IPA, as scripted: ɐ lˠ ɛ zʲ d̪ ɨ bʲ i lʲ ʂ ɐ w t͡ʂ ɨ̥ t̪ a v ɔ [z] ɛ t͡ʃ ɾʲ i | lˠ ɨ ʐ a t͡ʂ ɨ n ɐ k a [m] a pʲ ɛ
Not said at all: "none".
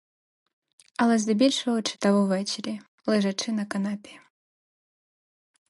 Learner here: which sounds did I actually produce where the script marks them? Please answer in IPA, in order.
v, n

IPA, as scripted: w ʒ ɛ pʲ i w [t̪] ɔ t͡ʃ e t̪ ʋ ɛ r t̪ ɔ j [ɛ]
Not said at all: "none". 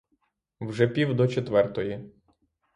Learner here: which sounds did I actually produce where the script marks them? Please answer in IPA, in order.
d̪, i

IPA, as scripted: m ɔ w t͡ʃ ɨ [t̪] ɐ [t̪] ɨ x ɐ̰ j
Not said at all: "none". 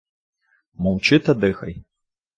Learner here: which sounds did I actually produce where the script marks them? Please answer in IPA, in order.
t̪, d̪

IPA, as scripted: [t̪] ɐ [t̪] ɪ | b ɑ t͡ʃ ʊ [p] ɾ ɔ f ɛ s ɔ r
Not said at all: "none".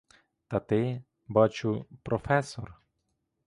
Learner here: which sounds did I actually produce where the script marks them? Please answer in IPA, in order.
t̪, t̪, p

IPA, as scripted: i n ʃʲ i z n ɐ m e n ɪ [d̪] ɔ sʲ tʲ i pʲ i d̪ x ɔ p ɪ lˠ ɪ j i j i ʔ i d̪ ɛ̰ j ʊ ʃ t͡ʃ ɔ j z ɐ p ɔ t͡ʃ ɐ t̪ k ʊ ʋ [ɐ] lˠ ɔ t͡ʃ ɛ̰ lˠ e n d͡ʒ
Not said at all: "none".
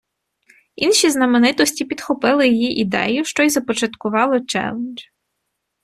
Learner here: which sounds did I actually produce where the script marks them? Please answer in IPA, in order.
t̪, ɑ

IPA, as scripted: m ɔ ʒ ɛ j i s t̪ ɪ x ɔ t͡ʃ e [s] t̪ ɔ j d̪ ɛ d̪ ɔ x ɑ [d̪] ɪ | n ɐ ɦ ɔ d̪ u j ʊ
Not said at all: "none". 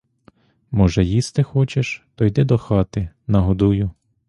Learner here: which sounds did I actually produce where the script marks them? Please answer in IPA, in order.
ʃ, t̪

